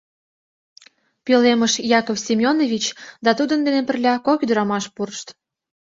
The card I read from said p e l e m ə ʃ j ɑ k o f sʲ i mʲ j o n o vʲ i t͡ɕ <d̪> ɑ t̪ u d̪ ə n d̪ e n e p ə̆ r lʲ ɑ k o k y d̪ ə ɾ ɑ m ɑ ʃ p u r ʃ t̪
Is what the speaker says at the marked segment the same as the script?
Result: yes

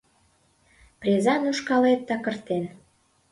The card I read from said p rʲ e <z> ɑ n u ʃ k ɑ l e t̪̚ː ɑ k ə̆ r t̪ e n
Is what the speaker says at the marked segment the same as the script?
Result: yes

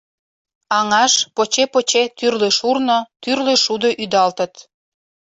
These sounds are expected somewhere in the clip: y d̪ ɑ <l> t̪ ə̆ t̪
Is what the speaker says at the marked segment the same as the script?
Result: yes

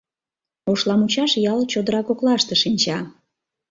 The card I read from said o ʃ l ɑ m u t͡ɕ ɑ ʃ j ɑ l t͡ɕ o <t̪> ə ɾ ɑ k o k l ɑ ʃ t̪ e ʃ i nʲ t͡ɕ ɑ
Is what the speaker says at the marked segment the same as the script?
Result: no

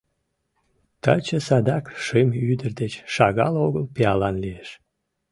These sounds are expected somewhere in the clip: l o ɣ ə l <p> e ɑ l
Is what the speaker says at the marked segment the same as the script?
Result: yes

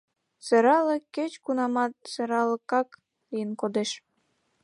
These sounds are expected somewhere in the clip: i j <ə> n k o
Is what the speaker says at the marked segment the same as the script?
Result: yes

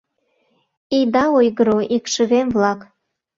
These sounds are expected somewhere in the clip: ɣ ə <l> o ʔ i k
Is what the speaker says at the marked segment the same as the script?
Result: no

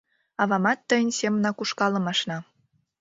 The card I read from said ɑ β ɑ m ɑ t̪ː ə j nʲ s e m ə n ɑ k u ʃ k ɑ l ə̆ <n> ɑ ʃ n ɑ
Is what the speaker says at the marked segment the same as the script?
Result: no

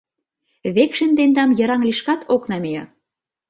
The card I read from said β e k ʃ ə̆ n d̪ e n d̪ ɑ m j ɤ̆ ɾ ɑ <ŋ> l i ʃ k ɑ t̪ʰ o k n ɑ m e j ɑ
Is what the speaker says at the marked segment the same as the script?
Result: yes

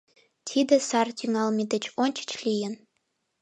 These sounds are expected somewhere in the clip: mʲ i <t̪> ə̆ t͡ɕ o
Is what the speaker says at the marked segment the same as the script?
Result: no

